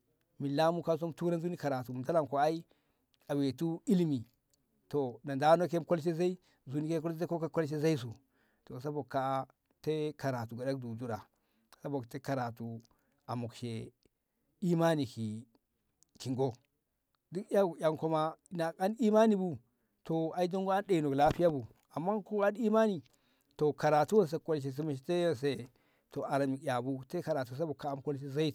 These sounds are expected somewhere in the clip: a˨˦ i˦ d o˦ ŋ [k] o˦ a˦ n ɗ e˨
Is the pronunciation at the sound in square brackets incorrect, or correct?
incorrect